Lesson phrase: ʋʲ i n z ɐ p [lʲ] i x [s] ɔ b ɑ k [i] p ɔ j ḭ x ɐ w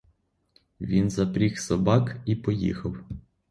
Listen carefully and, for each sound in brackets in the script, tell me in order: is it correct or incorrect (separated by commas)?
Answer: incorrect, correct, correct